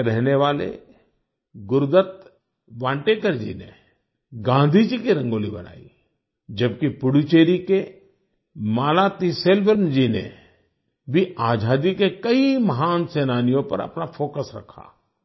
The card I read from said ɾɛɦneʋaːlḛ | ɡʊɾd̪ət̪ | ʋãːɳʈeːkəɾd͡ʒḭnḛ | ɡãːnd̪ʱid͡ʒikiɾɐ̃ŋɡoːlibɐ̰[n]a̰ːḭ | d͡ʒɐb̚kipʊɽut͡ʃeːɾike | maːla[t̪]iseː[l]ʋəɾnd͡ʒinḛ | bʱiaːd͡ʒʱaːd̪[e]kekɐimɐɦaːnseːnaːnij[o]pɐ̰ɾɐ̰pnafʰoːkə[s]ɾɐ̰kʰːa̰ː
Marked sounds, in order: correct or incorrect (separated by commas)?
correct, correct, correct, incorrect, incorrect, correct